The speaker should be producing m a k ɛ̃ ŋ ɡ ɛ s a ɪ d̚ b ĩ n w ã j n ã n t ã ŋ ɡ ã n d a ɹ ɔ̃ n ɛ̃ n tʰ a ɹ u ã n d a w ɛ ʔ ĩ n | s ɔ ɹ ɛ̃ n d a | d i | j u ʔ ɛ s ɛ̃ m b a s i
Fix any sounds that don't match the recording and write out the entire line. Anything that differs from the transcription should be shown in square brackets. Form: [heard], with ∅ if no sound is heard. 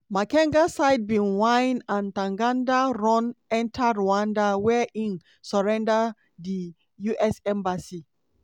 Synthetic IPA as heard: m a k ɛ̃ ŋ ɡ [a] s a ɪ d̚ b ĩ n w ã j n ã n t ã ŋ ɡ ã n d a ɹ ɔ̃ n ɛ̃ n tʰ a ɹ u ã n d a w ɛ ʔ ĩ n | s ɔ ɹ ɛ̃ n d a | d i | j u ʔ ɛ s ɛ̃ m b a s i